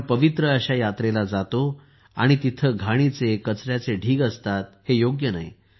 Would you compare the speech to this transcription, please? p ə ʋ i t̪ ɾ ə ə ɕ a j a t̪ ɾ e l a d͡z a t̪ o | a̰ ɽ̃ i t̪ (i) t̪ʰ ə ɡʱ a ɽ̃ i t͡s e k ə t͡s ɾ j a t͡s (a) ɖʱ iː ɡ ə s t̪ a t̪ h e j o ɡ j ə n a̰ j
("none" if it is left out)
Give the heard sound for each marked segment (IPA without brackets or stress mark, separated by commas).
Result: i, e